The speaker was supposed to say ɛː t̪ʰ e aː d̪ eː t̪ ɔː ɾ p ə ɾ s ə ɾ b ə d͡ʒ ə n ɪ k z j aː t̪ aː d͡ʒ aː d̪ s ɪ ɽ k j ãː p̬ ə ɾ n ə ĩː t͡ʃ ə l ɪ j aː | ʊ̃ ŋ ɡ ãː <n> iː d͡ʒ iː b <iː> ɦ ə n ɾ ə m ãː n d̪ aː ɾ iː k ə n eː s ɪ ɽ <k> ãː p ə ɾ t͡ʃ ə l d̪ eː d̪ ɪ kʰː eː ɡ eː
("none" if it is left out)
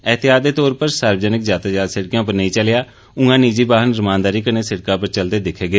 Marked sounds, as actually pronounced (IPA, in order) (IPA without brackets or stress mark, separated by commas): n, aː, k